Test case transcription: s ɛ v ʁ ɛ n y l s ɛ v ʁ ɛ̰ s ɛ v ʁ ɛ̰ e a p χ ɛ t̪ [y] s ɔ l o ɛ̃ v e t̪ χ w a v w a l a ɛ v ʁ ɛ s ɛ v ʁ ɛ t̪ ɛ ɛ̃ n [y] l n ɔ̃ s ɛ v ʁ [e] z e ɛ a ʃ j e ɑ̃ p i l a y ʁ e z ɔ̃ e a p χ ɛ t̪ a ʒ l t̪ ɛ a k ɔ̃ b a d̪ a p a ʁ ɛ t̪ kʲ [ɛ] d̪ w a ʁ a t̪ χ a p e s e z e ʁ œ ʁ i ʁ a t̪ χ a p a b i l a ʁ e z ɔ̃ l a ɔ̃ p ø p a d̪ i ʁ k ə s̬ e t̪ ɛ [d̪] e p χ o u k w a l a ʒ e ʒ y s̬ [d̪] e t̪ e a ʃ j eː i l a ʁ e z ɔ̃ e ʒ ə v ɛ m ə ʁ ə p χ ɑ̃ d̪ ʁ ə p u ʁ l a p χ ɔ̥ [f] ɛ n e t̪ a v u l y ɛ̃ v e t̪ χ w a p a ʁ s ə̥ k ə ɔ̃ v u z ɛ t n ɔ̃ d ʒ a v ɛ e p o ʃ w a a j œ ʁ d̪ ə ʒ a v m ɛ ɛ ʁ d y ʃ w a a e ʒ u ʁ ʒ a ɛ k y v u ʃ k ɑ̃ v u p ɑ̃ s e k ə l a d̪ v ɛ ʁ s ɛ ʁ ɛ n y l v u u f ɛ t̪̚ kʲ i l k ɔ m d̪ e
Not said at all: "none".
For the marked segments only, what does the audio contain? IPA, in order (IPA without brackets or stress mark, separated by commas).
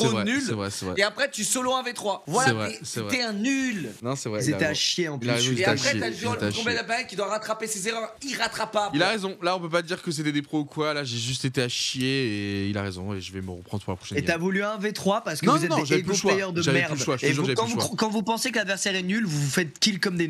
y, y, ɛ, i, d̪, t̪, ʃ